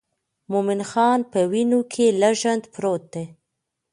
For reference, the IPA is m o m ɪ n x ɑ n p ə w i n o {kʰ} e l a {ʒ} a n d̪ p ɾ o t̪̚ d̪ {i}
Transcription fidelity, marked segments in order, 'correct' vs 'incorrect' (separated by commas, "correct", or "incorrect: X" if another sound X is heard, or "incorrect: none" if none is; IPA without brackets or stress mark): correct, correct, incorrect: e